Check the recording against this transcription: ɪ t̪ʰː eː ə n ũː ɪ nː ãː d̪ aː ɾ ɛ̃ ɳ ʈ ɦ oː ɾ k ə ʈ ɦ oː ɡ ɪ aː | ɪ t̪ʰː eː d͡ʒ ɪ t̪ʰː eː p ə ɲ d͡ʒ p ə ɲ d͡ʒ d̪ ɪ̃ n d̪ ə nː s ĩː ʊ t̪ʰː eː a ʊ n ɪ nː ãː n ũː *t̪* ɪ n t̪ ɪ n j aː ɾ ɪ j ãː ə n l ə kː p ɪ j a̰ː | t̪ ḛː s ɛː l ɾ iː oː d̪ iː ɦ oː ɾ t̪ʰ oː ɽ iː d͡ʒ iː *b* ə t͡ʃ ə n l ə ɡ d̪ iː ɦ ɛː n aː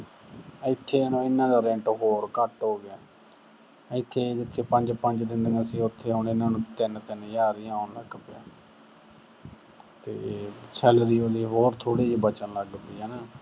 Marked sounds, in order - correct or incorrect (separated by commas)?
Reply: correct, correct